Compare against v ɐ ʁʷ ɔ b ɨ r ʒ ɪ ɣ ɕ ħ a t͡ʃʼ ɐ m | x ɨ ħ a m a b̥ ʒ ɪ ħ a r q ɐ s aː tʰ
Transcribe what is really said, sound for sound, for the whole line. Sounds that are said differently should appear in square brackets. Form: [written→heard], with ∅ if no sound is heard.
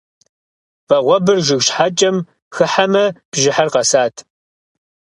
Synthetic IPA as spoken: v ɐ ʁʷ ɔ b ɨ r ʒ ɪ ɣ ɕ ħ a t͡ʃʼ ɐ m | x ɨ ħ a m [a→ɐ] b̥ ʒ ɪ ħ a r q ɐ s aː tʰ